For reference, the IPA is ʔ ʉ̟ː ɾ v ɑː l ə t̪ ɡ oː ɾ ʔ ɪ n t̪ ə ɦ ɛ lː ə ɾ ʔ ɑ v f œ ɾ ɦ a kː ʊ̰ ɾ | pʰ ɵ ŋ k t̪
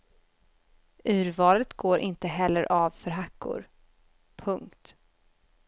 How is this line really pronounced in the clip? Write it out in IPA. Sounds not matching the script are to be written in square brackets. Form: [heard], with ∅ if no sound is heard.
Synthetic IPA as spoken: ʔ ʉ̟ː ɾ v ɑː l ə t̪ ɡ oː ɾ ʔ ɪ n t̪ ə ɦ ɛ lː ə ɾ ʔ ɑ v f œ ɾ ɦ a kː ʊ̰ ɾ | pʰ ɵ ŋ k t̪